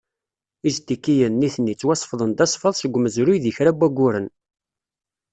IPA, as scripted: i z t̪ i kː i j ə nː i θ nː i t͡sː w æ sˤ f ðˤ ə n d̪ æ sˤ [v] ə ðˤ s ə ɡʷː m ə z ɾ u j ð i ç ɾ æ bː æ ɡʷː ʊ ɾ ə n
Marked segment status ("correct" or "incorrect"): incorrect